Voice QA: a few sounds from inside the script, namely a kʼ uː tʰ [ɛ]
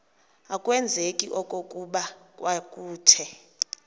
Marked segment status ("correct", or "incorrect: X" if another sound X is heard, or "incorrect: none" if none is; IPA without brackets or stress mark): correct